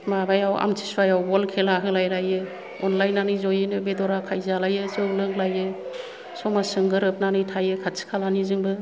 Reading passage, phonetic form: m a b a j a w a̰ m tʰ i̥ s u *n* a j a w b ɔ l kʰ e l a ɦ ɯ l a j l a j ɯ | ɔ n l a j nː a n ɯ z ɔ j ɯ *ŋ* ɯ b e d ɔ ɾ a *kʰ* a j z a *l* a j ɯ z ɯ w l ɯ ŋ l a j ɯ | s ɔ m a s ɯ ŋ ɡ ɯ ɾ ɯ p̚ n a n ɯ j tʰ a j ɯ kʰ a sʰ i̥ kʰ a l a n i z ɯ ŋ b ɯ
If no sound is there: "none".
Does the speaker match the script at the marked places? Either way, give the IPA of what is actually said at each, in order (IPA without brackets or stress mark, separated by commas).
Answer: none, n, kʰ, l